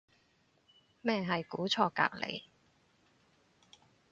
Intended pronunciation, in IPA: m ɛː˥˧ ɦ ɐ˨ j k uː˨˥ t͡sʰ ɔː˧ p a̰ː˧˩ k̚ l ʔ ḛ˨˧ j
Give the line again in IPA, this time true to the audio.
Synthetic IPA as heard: m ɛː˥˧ ɦ ɐ˨ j k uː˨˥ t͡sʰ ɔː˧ k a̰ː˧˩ k̚ l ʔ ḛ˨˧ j